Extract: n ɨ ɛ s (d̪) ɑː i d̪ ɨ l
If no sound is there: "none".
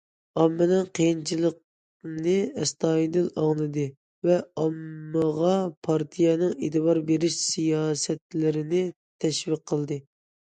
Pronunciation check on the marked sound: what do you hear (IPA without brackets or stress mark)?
t̪